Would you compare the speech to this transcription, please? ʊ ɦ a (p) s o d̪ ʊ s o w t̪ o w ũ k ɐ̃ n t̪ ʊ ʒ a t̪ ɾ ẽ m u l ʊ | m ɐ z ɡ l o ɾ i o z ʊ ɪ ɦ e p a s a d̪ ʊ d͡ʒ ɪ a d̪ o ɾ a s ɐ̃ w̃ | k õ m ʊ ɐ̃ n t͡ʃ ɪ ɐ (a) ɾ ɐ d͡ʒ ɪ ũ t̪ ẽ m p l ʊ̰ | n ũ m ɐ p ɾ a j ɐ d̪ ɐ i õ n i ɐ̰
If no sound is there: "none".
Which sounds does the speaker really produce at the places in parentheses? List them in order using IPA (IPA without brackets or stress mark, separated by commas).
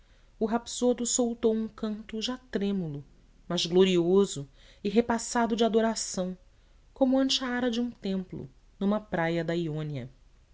p, a